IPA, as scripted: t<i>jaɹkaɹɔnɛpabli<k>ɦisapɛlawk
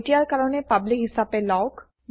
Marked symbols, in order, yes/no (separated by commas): yes, yes